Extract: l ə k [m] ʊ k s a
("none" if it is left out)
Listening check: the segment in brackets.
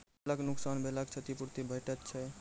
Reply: n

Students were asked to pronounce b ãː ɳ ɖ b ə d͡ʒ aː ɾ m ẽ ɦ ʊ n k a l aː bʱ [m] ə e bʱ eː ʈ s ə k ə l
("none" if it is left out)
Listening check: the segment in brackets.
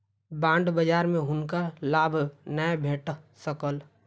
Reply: n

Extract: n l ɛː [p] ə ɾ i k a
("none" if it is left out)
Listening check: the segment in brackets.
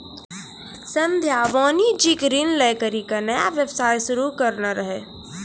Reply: k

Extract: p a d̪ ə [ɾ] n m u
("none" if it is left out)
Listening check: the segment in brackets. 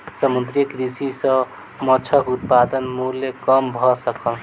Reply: none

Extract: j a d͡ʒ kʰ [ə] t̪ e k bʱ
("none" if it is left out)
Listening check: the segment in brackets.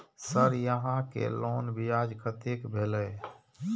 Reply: ə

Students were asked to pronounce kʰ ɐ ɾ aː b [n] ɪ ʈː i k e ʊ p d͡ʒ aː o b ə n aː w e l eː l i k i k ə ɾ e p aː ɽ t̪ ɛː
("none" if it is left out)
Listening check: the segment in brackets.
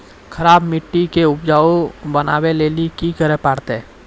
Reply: m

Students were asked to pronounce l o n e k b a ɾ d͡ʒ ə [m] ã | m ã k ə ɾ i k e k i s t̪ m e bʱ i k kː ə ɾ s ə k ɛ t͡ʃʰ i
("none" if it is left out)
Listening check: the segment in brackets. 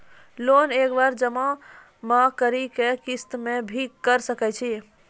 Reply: m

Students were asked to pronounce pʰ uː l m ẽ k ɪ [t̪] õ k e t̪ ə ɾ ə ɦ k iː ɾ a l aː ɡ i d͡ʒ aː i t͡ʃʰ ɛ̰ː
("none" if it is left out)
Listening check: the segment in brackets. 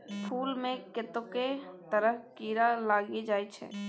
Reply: t̪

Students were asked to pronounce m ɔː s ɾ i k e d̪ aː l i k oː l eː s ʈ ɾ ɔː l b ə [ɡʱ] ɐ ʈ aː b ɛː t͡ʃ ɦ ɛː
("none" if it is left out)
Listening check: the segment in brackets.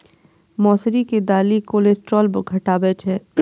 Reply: ɡʱ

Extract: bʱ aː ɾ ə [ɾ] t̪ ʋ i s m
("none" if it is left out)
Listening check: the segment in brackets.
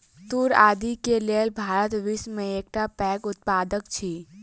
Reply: none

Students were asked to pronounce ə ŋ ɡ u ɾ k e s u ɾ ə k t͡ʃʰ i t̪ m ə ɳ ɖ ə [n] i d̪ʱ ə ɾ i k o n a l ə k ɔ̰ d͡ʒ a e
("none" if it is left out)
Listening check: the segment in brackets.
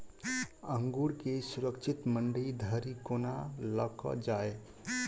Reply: none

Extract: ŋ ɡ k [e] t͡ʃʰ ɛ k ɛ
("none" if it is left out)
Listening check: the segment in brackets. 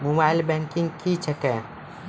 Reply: i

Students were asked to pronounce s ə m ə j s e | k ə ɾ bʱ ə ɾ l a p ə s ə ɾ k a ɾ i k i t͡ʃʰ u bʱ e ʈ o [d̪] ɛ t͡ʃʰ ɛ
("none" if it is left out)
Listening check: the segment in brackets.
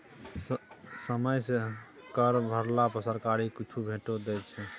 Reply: d̪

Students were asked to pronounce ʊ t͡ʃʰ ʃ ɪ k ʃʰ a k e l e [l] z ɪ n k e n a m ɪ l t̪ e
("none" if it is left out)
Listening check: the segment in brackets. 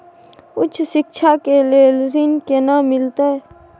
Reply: l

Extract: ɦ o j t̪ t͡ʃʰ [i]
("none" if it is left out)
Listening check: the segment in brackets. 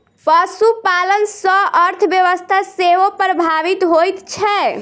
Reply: ɛ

